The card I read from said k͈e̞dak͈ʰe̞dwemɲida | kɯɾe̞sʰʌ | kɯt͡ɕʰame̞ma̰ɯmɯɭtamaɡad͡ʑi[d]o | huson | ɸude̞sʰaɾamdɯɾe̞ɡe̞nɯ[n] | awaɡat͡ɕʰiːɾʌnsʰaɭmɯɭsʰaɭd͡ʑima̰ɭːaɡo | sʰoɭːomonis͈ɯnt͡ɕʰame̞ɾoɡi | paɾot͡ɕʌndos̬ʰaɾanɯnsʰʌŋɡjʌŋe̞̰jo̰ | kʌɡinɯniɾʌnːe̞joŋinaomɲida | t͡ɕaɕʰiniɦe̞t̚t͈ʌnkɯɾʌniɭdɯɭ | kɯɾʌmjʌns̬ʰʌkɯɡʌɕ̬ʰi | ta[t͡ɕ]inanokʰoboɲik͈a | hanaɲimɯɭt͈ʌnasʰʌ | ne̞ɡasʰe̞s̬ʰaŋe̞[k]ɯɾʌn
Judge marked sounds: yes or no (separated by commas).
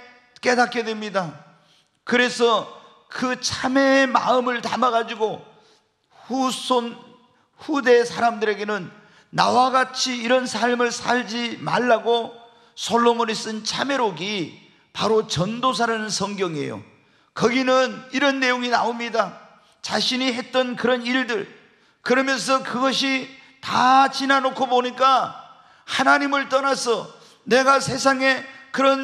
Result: no, no, yes, yes